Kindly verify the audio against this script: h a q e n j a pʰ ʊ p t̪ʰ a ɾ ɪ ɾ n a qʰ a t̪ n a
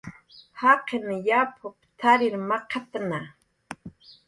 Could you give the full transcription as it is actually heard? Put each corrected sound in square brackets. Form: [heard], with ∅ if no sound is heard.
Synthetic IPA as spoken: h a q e n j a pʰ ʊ p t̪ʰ a ɾ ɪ ɾ [m] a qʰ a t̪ n a